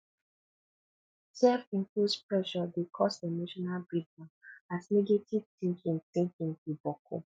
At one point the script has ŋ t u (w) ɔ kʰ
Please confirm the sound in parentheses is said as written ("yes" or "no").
no